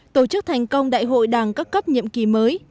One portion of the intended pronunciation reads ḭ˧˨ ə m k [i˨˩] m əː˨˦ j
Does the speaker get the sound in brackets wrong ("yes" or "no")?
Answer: no